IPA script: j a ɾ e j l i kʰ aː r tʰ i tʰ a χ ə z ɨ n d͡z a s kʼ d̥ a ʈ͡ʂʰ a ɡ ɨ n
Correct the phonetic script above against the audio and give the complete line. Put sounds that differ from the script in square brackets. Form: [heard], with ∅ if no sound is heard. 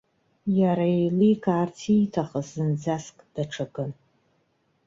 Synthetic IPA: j a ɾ [a] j l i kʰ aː r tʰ i tʰ a χ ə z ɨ n d͡z a s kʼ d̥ a ʈ͡ʂʰ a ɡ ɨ n